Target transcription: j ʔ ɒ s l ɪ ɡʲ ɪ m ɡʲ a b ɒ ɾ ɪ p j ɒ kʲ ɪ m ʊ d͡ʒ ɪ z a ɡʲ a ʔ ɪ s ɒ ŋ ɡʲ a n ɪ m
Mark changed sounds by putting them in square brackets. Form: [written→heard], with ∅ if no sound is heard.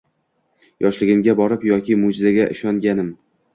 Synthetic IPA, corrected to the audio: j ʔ ɒ [s→ʃ] l ɪ ɡʲ ɪ m ɡʲ a b ɒ ɾ ɪ p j ɒ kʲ ɪ m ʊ d͡ʒ ɪ z a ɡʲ a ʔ ɪ [s→ʃ] ɒ ŋ ɡʲ a n ɪ m